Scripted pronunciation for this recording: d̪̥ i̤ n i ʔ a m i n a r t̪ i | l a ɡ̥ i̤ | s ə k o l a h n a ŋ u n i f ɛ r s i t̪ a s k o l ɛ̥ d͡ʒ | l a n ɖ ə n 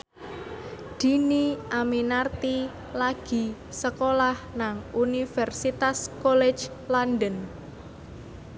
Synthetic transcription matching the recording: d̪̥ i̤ n i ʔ a m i n a r t̪ i | l a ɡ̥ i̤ | s ə k o l a h n a ŋ u n i f ɛ r s i t̪ a s k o l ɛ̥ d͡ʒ | l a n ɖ ə n